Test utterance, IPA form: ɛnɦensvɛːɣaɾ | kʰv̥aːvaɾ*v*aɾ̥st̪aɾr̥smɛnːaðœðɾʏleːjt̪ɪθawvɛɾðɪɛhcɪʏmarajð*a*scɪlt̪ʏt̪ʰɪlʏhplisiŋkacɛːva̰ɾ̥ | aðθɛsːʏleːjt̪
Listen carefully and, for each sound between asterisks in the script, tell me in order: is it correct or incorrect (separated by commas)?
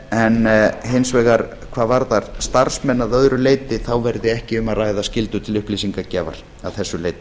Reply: incorrect, correct